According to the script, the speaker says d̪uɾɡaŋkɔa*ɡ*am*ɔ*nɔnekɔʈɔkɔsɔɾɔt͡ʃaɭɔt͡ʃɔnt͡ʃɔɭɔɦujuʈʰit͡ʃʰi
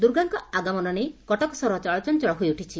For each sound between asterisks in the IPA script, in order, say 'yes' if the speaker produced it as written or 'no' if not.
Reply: yes, yes

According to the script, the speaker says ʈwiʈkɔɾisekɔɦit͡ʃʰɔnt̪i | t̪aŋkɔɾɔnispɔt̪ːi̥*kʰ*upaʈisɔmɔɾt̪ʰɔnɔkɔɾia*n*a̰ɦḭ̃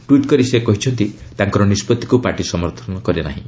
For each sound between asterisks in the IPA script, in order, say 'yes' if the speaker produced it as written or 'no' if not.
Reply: no, yes

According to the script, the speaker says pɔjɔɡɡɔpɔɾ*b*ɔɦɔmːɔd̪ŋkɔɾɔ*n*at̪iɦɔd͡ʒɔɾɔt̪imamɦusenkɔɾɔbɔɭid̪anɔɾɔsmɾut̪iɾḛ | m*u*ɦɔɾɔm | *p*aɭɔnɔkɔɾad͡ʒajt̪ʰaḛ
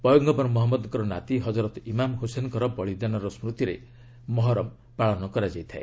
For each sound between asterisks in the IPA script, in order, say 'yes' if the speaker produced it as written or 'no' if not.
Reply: no, yes, no, yes

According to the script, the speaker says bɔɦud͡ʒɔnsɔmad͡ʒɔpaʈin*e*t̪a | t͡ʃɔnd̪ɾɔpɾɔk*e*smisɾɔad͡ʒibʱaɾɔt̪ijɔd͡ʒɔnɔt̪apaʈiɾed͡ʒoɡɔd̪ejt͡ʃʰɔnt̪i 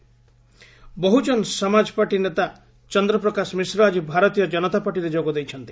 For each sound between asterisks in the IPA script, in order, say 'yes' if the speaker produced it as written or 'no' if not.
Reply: yes, no

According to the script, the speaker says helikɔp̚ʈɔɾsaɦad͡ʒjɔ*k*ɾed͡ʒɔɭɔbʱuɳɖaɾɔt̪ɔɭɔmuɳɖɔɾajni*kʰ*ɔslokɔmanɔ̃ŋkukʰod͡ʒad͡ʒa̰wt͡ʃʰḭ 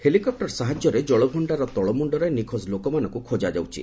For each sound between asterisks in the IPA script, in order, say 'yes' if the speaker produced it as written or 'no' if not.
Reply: no, yes

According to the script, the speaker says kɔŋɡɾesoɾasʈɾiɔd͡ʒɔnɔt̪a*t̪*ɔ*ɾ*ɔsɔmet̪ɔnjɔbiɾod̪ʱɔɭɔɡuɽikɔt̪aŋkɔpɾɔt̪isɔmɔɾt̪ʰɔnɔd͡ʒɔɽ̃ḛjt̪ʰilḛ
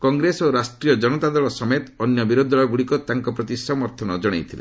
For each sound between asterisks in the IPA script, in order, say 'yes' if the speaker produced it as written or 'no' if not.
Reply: no, no

